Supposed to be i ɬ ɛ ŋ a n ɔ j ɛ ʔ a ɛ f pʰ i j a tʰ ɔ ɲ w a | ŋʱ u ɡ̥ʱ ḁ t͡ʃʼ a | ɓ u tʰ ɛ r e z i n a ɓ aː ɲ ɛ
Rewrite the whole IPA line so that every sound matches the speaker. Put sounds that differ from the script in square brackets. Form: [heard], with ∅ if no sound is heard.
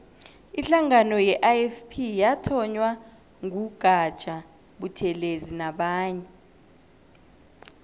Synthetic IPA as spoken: i ɬ [a] ŋ a n ɔ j ɛ ʔ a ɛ f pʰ i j a tʰ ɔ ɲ w a | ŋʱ u ɡ̥ʱ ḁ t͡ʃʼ a | ɓ u tʰ ɛ [l] e z i n a ɓ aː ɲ ɛ

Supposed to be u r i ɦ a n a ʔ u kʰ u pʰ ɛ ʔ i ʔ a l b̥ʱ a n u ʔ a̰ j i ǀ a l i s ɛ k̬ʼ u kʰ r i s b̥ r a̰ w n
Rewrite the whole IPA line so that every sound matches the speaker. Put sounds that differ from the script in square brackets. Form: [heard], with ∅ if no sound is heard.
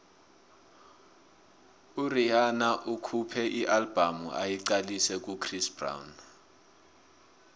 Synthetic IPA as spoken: u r i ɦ a n a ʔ u kʰ u pʰ ɛ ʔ i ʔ a l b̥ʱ a [m] u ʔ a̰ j i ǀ a l i s ɛ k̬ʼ u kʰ r i s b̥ r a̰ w n

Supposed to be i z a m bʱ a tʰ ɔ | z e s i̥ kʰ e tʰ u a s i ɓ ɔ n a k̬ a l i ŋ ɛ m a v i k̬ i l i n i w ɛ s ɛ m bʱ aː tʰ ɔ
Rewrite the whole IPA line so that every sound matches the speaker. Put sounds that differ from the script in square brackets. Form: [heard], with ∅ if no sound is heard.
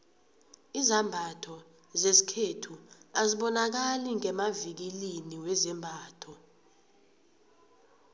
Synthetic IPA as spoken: i z a m bʱ a tʰ ɔ | z e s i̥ kʰ e tʰ u a [z] i ɓ ɔ n a k̬ a l i ŋ ɛ m a v i k̬ i l i n i w ɛ [z] ɛ m bʱ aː tʰ ɔ

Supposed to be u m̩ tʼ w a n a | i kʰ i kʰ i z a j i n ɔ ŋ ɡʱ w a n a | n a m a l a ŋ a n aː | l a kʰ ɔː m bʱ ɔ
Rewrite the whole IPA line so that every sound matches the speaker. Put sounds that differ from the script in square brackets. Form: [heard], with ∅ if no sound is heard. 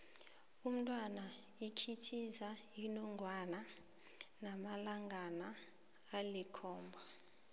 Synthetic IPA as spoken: u m̩ tʼ w a n a | i kʰ i [tʰ] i z a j i n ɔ ŋ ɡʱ w a n a | n a m a l a ŋ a n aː | l [i] kʰ ɔː m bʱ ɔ

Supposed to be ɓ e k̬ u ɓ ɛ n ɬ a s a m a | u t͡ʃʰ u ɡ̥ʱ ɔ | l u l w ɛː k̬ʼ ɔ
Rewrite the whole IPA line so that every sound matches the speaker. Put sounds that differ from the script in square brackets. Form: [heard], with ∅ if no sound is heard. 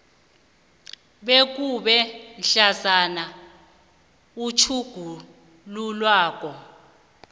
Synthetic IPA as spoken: ɓ e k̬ u ɓ ɛ n ɬ a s a [n] a | u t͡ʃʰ u ɡ̥ʱ [u] | l u l w [aː] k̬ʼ ɔ

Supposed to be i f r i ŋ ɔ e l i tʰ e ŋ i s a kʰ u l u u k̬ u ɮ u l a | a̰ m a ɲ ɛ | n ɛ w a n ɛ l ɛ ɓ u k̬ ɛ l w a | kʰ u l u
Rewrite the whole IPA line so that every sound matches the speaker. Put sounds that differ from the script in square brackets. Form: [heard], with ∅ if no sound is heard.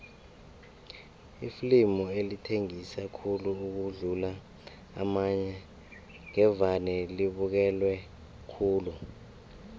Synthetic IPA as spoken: i f [l] i [m] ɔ e l i tʰ e ŋ i s a kʰ u l u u k̬ u ɮ u l a | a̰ m a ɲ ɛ | [ŋ] ɛ [v] a n ɛ l [i] ɓ u k̬ ɛ l w [ɛ] | kʰ [uː] l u

